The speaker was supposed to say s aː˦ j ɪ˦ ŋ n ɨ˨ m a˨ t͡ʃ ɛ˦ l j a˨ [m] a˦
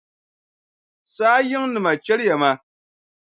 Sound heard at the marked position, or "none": m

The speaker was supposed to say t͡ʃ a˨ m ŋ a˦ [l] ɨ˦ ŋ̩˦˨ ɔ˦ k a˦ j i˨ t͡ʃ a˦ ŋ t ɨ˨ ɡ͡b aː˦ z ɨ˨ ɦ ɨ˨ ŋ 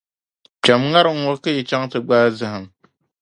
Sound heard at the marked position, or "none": ɾ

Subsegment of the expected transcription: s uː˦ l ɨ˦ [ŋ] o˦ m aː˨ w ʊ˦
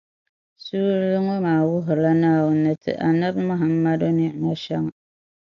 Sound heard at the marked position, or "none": ŋ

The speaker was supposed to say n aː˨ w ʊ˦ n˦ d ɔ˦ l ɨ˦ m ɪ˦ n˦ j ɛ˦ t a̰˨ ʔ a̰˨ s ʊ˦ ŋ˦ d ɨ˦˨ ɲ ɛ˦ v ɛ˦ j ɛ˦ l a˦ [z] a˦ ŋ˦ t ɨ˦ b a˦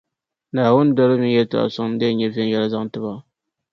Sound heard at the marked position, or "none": z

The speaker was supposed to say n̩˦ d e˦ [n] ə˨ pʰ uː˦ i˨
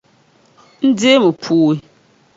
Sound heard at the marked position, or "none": m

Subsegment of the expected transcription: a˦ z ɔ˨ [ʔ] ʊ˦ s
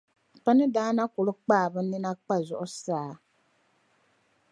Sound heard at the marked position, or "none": ʔ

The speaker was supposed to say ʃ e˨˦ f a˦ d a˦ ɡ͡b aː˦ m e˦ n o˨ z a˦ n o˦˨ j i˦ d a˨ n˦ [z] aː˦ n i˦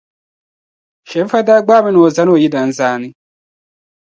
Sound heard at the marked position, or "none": z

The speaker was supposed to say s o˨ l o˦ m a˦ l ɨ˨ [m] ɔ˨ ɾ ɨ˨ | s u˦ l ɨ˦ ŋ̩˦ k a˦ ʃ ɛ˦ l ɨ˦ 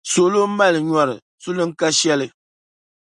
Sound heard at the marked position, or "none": ɲ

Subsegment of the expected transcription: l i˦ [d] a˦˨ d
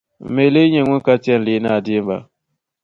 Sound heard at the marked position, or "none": n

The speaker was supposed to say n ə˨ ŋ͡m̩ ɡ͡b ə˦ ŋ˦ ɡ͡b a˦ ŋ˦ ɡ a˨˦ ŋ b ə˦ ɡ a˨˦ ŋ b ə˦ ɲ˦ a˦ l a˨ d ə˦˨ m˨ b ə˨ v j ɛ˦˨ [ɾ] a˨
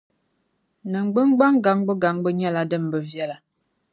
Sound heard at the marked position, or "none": l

